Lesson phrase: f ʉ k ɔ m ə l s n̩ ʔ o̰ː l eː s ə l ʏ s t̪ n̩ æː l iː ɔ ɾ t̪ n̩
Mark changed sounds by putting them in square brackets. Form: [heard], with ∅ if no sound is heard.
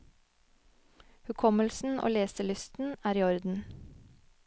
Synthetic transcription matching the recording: [h] ʉ [kʰ] ɔ m ə l s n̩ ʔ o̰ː l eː s ə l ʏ s t̪ n̩ æː [ɾ] iː ɔ ɾ [d̪] n̩